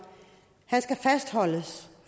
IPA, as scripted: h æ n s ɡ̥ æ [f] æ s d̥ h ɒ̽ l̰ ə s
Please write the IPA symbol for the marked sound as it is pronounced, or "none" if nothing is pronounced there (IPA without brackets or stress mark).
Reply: f